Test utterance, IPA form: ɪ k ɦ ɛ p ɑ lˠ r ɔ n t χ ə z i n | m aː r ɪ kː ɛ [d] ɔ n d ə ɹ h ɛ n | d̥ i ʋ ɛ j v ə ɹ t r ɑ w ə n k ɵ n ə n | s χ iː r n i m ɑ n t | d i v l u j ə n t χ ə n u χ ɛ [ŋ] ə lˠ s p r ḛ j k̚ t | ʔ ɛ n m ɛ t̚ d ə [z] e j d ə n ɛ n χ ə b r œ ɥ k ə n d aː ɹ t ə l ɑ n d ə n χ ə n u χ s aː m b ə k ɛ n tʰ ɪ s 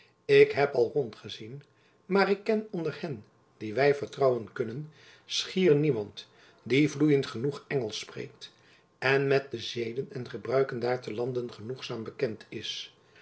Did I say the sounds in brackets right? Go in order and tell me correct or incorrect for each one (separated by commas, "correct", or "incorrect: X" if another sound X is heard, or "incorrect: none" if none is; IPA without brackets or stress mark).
incorrect: n, correct, correct